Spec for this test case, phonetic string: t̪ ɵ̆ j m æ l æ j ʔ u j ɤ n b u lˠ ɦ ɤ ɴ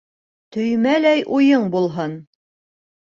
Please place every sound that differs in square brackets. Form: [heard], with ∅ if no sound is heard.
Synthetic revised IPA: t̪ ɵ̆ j m æ l æ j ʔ u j ɤ [ɴ] b u lˠ ɦ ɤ [n]